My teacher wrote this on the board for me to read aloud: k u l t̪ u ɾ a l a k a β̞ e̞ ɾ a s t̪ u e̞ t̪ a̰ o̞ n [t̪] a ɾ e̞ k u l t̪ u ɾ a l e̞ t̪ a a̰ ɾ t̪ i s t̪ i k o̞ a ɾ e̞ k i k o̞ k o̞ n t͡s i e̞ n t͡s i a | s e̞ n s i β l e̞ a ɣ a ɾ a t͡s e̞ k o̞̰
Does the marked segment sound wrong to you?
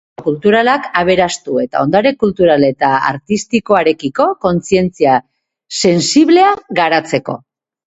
yes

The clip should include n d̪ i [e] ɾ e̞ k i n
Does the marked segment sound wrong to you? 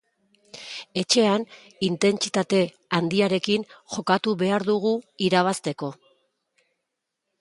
yes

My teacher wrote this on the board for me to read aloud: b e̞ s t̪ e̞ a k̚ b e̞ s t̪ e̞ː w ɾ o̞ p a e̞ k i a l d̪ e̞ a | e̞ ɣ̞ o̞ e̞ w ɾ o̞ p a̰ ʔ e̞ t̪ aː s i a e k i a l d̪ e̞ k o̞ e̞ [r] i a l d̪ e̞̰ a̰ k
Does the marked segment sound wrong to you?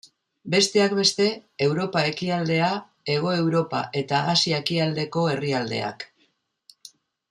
no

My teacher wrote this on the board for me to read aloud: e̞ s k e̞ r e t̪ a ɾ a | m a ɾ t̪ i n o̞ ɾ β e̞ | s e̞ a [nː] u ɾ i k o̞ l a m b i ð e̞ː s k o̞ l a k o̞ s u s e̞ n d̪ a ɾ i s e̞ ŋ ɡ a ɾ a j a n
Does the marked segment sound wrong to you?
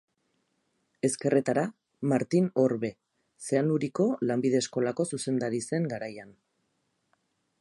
yes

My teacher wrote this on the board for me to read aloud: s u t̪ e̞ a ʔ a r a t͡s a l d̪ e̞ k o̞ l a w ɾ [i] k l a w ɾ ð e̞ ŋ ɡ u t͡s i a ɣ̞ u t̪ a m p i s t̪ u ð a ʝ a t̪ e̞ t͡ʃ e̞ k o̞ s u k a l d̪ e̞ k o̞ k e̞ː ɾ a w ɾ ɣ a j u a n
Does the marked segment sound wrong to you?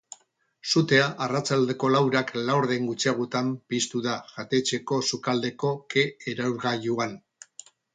yes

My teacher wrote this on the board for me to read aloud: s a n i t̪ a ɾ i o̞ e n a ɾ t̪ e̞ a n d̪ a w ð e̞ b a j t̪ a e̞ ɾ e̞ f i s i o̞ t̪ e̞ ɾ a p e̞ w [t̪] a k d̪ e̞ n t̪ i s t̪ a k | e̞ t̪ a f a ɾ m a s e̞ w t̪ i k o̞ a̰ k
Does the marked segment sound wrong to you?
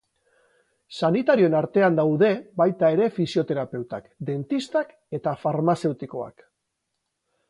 no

